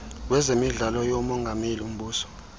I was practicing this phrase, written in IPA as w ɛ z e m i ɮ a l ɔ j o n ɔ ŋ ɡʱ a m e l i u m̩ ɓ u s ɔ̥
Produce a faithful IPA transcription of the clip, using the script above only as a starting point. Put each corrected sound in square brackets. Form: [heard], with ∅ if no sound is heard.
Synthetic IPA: w ɛ z e m i ɮ a l ɔ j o [m] ɔ ŋ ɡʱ a m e l i u m̩ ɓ [uː] s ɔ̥